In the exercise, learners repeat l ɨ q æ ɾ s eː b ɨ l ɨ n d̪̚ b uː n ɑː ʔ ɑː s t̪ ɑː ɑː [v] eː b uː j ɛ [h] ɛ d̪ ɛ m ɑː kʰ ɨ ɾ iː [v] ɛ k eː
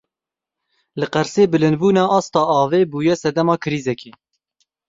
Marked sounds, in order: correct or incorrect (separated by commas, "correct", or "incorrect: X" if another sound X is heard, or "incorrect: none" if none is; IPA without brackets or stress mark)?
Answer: correct, incorrect: s, incorrect: z